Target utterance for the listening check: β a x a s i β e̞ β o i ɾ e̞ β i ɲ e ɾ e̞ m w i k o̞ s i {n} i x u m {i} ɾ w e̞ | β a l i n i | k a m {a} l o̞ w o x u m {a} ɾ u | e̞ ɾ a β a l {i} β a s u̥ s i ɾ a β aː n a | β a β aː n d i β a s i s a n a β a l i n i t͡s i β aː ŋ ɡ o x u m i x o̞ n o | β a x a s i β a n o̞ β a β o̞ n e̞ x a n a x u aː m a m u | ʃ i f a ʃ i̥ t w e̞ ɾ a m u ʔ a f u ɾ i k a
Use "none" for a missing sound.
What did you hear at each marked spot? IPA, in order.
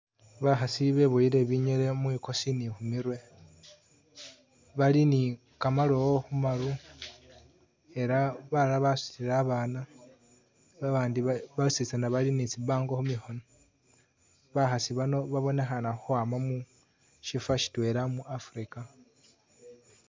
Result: n, i, a, a, a

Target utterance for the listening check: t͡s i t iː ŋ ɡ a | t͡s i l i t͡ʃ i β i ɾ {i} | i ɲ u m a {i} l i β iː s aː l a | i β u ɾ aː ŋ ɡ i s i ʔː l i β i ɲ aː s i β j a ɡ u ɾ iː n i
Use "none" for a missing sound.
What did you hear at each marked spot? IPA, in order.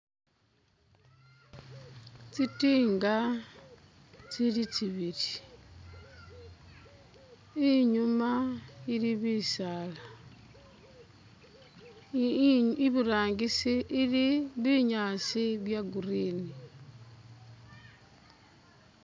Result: i, i

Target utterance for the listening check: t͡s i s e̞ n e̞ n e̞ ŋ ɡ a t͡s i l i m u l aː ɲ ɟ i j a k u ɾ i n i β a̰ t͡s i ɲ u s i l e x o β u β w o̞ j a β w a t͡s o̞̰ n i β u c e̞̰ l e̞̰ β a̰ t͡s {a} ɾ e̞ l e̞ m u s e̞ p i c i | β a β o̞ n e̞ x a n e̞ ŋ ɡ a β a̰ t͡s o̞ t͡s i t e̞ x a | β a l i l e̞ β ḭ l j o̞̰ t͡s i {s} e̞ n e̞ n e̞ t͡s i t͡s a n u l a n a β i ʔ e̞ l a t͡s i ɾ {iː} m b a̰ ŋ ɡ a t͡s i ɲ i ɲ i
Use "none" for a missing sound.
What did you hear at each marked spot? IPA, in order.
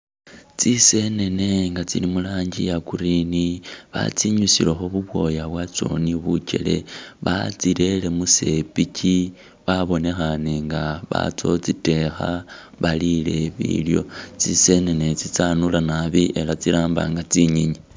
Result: i, s, aː

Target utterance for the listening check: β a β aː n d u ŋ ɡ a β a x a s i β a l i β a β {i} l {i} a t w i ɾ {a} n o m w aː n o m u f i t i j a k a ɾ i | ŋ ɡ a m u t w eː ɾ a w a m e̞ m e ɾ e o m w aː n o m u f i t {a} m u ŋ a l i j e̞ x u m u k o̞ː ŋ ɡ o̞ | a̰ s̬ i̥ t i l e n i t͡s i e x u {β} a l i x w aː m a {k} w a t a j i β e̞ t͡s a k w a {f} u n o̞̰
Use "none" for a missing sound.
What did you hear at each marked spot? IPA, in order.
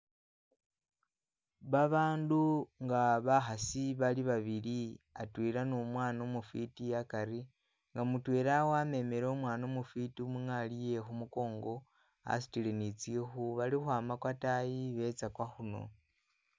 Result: i, i, a, i, β, k, x

